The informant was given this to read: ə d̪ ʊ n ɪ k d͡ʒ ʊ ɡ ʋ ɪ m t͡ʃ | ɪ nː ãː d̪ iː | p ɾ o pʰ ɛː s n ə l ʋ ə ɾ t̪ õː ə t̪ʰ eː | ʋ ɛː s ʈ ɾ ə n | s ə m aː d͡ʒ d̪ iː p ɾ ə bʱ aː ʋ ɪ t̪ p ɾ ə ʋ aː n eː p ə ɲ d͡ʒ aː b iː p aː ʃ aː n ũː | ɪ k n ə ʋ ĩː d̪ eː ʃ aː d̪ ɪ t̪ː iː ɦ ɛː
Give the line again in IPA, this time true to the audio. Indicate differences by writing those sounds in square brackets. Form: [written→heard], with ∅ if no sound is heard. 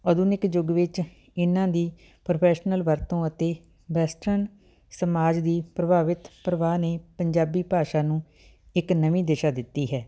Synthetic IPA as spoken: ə d̪ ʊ n ɪ k d͡ʒ ʊ ɡ ʋ ɪ [m→∅] t͡ʃ | ɪ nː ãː d̪ iː | p ɾ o pʰ ɛː [s→ʃ] n ə l ʋ ə ɾ t̪ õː ə [t̪ʰ→t̪] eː | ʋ ɛː s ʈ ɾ ə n | s ə m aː d͡ʒ d̪ iː p ɾ ə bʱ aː ʋ ɪ t̪ p ɾ ə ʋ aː n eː p ə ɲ d͡ʒ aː b iː p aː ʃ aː n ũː | ɪ k n ə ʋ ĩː d̪ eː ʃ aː d̪ ɪ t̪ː iː ɦ ɛː